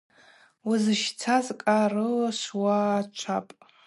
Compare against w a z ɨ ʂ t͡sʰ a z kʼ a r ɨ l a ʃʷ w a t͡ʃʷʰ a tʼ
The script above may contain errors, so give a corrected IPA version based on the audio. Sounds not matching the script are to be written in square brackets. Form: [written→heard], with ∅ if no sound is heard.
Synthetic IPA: w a z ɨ [ʂ→ʃ] t͡sʰ a z kʼ a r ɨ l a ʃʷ w a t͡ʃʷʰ a [tʼ→pʼ]